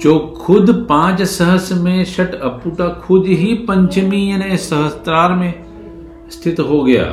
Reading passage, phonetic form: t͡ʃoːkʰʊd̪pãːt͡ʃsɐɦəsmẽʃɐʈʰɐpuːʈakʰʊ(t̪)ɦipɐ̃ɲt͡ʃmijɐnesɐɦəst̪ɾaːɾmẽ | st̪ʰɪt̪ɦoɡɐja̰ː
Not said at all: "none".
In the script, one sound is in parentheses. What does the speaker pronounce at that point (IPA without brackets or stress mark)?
d̪